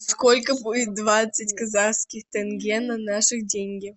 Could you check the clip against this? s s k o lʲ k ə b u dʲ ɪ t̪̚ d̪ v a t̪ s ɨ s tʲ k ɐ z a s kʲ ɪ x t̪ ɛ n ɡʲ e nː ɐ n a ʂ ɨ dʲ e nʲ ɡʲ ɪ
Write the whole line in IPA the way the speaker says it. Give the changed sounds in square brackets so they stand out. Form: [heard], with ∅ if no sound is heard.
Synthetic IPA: s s k o lʲ k ə b u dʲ ɪ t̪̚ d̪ v a t̪ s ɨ [∅] tʲ k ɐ z a s kʲ ɪ x t̪ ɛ n ɡʲ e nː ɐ n a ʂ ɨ dʲ e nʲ ɡʲ ɪ